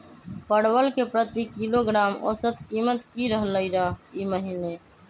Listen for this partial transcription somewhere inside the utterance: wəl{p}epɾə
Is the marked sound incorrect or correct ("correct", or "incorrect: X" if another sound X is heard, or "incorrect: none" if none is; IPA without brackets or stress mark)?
incorrect: k